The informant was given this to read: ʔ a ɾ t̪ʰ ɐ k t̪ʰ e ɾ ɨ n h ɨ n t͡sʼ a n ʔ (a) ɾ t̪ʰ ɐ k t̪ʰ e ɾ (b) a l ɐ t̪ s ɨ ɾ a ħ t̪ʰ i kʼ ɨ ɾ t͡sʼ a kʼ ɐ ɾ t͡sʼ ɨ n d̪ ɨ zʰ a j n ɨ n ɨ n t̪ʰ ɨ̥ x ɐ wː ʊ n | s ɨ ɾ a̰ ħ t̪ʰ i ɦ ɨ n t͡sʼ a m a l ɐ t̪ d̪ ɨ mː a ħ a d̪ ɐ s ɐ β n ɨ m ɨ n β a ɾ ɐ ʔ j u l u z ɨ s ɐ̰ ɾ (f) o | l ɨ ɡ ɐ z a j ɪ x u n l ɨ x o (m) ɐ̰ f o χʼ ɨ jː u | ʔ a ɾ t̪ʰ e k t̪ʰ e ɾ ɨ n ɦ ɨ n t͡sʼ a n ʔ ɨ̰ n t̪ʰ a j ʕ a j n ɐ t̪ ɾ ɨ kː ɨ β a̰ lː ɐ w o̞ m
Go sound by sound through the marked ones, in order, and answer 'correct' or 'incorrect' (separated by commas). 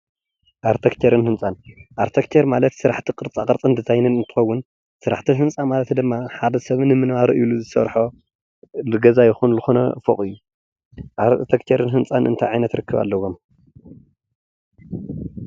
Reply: correct, incorrect, incorrect, incorrect